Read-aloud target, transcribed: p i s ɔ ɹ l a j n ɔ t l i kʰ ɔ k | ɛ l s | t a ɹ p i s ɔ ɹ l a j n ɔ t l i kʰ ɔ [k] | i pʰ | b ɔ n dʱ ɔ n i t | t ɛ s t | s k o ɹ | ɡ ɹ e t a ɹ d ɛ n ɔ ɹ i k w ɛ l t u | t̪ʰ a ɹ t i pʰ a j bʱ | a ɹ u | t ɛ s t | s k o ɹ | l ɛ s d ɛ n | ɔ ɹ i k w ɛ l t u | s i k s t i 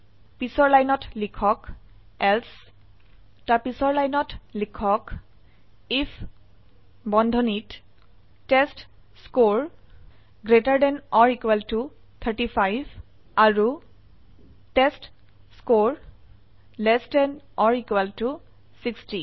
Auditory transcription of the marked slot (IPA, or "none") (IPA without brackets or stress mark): k